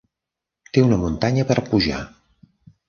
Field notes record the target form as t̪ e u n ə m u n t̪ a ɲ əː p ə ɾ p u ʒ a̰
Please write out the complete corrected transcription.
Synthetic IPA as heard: t̪ e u n ə m u n t̪ a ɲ ə p ə ɾ p u ʒ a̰